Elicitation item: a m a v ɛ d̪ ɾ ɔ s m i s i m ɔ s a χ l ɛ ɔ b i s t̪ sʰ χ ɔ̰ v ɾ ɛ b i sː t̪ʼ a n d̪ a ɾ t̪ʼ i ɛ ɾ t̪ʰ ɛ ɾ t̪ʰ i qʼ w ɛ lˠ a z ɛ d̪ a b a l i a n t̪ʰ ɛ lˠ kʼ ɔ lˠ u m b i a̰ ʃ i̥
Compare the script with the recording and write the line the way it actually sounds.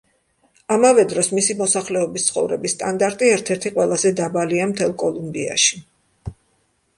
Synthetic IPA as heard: a m a v ɛ d̪ ɾ ɔ s m i s i m ɔ s a χ l ɛ ɔ b i s t̪ sʰ χ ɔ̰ v ɾ ɛ b i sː t̪ʼ a n d̪ a ɾ t̪ʼ i ɛ ɾ t̪ʰ ɛ ɾ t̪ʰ i qʼ w ɛ lˠ a z ɛ d̪ a b a l i a m t̪ʰ ɛ lˠ kʼ ɔ lˠ u m b i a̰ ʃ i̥